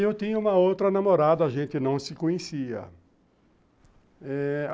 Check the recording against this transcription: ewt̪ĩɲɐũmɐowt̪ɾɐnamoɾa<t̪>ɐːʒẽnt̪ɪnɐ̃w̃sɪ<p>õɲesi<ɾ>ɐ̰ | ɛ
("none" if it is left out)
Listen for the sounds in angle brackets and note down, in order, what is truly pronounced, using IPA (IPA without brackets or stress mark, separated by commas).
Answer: d̪, k, none